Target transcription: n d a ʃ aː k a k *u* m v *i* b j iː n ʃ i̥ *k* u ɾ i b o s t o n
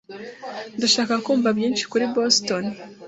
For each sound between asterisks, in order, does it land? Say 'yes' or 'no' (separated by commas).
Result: no, no, yes